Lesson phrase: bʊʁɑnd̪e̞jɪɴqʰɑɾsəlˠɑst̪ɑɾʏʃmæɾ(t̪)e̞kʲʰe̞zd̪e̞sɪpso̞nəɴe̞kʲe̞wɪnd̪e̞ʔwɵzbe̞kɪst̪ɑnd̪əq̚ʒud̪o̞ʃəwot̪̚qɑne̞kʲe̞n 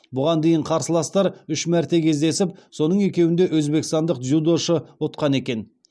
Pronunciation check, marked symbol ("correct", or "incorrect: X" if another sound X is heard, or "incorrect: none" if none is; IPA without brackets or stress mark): correct